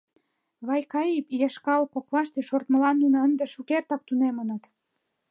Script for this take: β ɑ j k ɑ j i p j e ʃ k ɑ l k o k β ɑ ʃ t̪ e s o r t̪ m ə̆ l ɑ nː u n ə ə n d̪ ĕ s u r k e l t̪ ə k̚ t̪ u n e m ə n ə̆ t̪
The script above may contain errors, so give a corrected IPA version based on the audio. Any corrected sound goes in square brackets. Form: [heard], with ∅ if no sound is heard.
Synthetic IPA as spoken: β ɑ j k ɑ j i p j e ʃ k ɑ l k o k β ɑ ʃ t̪ e [ʃ] o r t̪ m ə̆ l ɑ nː u n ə ə n d̪ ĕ [ʃ] u [∅] k e [r] t̪ [ɑ] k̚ t̪ u n e m ə n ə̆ t̪